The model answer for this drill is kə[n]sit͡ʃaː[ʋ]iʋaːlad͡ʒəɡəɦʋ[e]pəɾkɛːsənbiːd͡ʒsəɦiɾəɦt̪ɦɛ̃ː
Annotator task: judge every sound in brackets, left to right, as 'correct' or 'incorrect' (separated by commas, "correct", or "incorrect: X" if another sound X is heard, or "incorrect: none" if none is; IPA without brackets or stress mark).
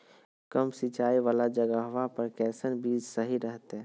incorrect: m, incorrect: none, incorrect: a